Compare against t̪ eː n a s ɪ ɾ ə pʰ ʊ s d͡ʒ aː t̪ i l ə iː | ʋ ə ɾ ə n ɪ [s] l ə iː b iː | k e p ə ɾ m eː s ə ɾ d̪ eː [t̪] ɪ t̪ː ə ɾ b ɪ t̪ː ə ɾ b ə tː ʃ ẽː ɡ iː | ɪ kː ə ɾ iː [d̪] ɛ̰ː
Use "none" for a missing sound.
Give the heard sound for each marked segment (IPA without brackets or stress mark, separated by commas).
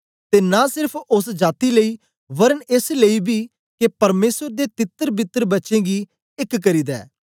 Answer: s, t̪, d̪